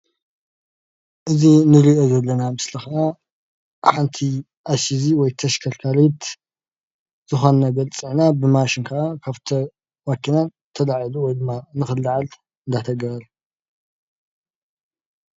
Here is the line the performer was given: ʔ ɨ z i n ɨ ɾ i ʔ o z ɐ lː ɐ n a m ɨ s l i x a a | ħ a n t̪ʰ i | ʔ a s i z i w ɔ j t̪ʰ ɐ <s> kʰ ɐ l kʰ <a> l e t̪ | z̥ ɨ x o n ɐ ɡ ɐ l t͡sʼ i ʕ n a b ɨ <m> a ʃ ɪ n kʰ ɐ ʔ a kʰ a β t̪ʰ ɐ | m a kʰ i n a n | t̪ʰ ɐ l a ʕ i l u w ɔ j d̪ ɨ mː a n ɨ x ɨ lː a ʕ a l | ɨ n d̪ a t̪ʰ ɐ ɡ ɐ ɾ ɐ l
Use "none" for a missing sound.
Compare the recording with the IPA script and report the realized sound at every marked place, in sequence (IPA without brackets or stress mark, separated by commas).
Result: ʃ, a, m